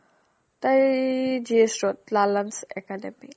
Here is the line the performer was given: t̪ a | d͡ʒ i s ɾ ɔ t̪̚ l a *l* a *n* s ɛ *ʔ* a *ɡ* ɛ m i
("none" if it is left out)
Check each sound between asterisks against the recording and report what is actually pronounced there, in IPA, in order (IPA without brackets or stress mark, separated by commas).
l, n, k, d